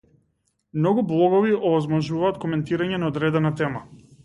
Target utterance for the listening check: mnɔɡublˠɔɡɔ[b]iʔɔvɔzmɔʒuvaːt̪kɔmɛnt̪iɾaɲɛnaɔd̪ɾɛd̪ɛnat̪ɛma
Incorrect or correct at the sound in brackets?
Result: incorrect: v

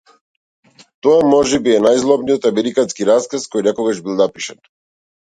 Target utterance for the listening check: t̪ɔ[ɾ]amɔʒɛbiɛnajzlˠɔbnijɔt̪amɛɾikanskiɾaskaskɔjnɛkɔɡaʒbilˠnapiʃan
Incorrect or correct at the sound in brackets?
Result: incorrect: none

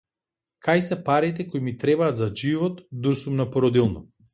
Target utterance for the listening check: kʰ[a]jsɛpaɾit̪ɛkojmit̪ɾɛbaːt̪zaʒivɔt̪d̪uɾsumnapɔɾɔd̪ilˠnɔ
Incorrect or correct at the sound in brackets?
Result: correct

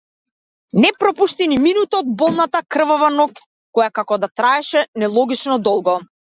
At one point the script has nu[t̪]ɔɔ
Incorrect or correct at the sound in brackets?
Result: correct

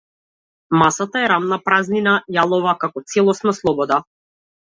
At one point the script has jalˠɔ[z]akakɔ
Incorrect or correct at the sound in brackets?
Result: incorrect: v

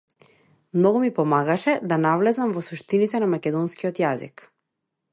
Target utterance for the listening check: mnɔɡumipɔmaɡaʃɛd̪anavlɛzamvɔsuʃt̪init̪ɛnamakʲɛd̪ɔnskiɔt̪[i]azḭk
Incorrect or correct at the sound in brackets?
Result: incorrect: j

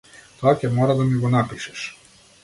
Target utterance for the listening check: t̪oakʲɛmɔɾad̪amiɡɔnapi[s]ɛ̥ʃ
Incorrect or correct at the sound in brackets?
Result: incorrect: ʃ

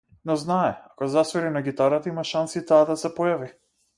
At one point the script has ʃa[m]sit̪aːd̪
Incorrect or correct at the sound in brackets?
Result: incorrect: n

